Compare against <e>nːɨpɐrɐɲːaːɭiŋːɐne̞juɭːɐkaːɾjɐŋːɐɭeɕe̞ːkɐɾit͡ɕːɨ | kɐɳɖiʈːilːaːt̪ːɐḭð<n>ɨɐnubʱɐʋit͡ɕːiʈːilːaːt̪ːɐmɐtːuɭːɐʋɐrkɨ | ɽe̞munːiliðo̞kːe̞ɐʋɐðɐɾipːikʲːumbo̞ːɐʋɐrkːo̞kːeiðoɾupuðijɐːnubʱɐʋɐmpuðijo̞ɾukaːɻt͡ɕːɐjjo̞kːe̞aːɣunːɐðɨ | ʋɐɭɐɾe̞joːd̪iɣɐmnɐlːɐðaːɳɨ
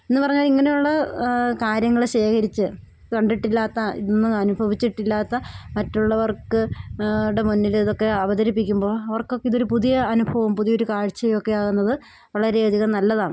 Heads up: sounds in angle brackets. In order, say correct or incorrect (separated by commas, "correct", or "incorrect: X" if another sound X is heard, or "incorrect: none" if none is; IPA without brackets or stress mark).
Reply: correct, incorrect: nː